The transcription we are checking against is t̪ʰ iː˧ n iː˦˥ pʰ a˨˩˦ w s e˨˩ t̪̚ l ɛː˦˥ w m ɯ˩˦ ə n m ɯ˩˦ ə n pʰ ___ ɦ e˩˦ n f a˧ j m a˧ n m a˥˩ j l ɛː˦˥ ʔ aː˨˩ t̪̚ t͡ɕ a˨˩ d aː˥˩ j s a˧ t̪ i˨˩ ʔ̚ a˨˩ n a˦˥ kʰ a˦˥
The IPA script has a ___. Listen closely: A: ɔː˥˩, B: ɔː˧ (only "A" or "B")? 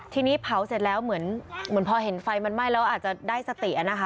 B